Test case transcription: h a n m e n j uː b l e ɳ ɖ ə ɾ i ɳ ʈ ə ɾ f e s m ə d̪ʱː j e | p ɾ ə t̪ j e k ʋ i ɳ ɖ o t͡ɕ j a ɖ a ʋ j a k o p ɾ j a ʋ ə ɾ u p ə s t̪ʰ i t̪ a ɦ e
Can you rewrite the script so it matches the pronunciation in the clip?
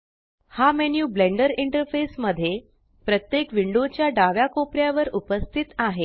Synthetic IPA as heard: h a m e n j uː b l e ɳ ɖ ə ɾ i ɳ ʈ ə ɾ f e s m ə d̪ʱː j e | p ɾ ə t̪ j e k ʋ i ɳ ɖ o t͡ɕ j a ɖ a ʋ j a k o p ɾ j a ʋ ə ɾ u p ə s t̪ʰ i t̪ a ɦ e